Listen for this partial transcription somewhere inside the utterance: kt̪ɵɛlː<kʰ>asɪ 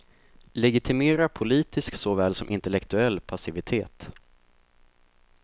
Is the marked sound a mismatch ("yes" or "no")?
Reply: yes